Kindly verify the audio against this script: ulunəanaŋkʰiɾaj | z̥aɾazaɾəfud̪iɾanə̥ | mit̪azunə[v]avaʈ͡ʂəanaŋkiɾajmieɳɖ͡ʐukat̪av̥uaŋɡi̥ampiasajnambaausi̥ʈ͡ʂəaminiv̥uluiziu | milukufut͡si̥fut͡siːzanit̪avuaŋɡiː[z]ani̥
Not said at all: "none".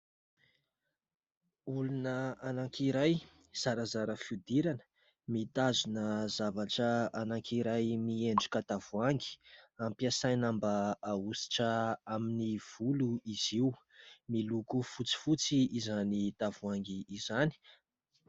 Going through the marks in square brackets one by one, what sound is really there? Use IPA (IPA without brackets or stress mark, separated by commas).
z, z